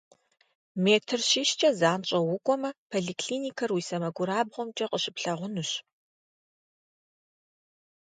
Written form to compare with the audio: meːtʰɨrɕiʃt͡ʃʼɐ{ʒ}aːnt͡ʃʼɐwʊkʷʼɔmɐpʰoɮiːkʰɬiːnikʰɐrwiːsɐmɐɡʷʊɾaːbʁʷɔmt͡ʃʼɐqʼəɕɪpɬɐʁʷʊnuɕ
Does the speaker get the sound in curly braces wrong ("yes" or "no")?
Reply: yes